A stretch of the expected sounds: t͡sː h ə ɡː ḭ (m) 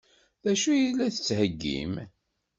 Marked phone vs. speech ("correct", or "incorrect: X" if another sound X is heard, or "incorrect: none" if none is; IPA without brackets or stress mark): correct